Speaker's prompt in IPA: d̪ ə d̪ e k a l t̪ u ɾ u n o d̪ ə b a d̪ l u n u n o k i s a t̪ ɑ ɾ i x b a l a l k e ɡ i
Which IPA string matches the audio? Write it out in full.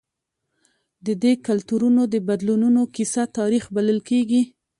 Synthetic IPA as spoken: d̪ ə d̪ e k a l t̪ u ɾ u n o d̪ ə b a d̪ l u n u n o k i s a t̪ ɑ ɾ i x b a l ə l k e ɡ i